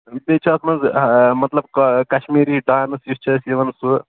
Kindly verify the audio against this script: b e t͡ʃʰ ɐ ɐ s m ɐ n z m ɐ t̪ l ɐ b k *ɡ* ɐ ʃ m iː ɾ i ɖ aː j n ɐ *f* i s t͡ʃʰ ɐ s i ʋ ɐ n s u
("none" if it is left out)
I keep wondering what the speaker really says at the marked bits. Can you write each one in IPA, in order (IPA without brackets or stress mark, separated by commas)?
k, s